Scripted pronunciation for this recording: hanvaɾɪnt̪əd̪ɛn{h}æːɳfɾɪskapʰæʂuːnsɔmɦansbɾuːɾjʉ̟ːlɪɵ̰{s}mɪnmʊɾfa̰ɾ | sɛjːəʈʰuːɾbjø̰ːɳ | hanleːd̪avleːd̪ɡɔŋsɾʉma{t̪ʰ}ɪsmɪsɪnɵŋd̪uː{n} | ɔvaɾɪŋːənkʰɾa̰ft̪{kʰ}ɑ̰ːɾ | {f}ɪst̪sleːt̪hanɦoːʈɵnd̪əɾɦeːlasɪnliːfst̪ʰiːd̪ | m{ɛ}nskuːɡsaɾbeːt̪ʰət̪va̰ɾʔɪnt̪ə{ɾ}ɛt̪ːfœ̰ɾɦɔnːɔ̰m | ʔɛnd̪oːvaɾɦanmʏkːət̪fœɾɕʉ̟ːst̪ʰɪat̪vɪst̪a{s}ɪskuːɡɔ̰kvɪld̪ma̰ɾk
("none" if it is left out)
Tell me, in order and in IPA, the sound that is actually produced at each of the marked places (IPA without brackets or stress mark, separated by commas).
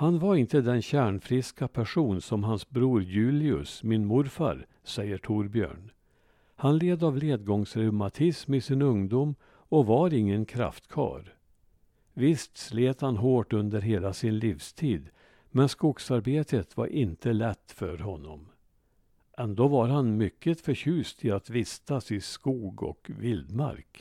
ɕ, s, t̪ʰ, m, kʰ, v, ɛ, l, s